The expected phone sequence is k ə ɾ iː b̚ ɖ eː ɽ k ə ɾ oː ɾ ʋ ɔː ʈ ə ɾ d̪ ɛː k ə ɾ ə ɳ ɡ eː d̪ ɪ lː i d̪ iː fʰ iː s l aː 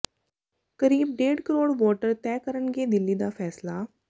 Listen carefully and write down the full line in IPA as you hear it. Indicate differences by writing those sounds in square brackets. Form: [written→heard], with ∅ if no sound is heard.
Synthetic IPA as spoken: k ə ɾ iː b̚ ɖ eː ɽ k ə ɾ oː [ɾ→ɽ] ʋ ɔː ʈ ə ɾ [d̪→t̪] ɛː k ə ɾ ə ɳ ɡ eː d̪ ɪ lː i d̪ [iː→aː] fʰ [iː→ɛː] s l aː